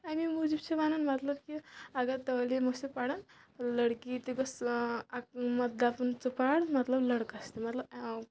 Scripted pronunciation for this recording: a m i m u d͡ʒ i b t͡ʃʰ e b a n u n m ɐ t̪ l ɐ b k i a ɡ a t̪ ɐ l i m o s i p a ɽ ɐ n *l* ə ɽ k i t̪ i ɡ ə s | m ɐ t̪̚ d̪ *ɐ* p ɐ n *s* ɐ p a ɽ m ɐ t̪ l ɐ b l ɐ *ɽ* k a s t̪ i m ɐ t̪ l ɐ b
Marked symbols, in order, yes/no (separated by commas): yes, no, no, yes